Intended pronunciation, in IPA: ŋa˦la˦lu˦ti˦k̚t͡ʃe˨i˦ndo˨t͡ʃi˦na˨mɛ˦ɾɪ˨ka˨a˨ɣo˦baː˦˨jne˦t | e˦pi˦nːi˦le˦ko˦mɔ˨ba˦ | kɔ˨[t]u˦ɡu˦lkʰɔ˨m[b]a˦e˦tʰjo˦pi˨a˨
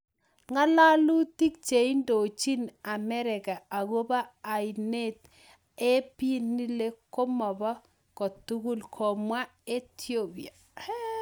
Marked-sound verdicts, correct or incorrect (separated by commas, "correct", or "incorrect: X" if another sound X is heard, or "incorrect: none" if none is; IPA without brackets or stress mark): correct, incorrect: w